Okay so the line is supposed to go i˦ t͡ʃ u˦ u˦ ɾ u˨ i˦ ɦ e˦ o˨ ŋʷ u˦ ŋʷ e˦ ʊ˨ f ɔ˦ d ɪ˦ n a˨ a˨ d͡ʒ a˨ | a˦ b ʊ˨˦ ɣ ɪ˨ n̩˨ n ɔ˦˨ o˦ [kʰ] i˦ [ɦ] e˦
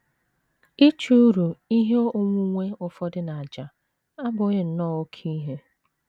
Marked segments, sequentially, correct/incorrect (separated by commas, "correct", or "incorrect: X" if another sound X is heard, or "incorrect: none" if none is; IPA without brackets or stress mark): correct, correct